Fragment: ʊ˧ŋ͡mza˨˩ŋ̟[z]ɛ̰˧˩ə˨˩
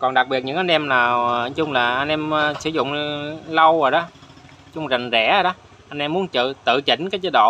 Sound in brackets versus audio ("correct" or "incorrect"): correct